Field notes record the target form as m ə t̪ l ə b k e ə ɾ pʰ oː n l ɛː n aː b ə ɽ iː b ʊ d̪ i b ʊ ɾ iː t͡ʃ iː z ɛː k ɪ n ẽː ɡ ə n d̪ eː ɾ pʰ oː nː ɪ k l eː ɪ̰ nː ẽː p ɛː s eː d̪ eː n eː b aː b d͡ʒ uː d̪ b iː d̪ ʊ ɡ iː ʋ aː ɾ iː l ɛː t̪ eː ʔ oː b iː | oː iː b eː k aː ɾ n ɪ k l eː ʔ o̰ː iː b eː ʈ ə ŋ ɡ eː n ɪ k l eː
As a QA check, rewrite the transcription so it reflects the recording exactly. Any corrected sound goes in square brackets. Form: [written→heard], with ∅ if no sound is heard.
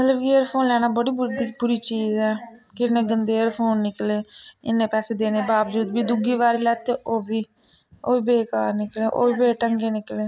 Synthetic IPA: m ə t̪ l ə b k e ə ɾ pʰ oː n l ɛː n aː b ə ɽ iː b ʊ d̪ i b ʊ ɾ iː t͡ʃ iː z ɛː k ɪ n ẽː ɡ ə n d̪ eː ɾ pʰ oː nː ɪ k l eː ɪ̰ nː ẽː p ɛː s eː d̪ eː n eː b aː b d͡ʒ uː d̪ b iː d̪ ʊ ɡ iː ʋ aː ɾ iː l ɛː t̪ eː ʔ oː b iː | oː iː b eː k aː ɾ n ɪ k l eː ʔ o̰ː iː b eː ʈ ə ŋ ɡ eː n ɪ k l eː